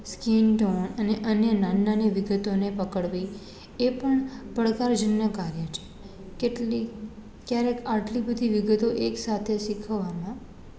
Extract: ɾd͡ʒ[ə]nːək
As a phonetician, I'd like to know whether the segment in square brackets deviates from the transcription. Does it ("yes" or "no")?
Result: no